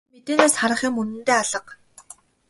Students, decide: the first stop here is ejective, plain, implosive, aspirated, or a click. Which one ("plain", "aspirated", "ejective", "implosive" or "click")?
plain